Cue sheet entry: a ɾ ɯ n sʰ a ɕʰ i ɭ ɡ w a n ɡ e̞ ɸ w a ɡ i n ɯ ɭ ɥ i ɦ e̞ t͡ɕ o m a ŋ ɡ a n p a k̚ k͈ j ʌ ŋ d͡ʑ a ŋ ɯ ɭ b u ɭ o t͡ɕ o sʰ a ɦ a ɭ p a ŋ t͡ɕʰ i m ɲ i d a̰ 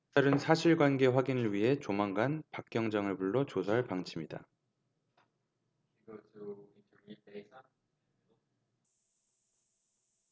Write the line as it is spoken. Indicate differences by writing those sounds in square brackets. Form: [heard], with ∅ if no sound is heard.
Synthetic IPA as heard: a ɾ ɯ n sʰ a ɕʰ i ɭ ɡ w a n ɡ e̞ ɸ w a ɡ i n ɯ ɭ ɥ i ɦ e̞ t͡ɕ o m a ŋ ɡ a n p a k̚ k͈ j ʌ ŋ d͡ʑ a ŋ ɯ ɭ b u [ɭː] o t͡ɕ o sʰ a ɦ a ɭ p a ŋ t͡ɕʰ i m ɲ i d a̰